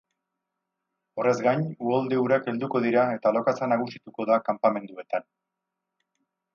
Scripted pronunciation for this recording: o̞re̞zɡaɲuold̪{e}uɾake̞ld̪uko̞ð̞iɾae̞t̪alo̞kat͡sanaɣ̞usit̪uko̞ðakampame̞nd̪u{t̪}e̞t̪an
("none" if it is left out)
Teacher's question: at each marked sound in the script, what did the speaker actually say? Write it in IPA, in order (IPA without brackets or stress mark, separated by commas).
e, none